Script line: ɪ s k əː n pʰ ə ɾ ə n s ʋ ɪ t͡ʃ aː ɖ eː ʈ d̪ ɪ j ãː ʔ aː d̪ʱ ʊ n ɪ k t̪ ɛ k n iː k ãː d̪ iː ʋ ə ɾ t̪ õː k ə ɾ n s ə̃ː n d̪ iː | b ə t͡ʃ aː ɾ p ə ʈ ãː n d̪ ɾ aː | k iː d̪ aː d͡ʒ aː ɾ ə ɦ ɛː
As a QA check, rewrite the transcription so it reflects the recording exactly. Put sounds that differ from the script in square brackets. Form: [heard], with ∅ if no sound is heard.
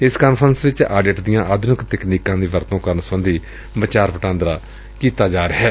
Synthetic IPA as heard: ɪ s k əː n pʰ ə ɾ ə n s ʋ ɪ t͡ʃ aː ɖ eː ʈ d̪ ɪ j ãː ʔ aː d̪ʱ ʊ n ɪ k t̪ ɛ k n iː k ãː d̪ iː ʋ ə ɾ t̪ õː k ə ɾ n s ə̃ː n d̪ iː | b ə t͡ʃ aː ɾ p ə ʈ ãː n d̪ ɾ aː | k iː [t̪] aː d͡ʒ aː ɾ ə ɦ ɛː